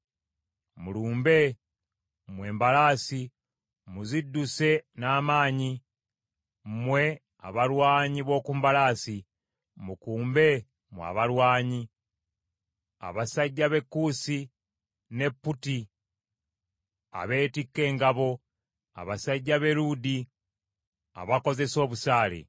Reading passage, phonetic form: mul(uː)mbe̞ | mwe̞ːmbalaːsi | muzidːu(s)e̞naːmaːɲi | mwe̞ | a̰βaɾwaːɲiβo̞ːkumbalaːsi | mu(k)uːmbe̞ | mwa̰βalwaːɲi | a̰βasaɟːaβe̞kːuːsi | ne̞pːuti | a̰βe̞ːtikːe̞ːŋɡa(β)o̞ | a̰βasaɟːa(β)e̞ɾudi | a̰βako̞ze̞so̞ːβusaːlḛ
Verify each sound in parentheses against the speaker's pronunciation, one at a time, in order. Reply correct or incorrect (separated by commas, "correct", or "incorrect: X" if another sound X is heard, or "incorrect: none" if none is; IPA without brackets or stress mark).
correct, correct, correct, correct, correct